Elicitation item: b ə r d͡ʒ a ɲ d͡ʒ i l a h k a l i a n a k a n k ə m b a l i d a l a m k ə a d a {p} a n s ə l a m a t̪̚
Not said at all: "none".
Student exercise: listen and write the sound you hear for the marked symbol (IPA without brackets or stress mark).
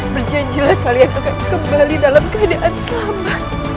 ʔ